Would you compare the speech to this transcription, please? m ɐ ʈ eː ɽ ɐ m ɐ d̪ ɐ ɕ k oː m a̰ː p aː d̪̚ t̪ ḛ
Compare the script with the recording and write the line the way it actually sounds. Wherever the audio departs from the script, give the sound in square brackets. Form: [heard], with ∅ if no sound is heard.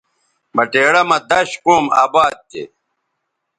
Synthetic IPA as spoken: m ɐ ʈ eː ɽ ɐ m ɐ d̪ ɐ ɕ k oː m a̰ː [b] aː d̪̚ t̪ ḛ